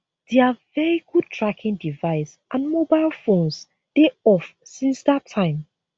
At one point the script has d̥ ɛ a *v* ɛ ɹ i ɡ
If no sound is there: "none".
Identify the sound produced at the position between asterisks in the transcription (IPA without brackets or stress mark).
v